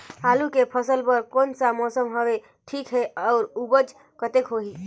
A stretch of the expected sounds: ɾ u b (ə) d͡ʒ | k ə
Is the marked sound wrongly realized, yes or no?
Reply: no